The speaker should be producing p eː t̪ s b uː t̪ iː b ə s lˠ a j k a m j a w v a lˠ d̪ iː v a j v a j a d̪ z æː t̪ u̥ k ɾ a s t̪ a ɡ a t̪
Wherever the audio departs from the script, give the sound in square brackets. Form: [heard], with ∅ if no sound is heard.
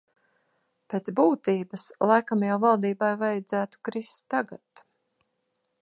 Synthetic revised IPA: p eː t̪ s b uː t̪ iː b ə s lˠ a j k a m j a w v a lˠ d̪ iː [b] a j v a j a d̪ z æː t̪ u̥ k ɾ [i] s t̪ a ɡ a t̪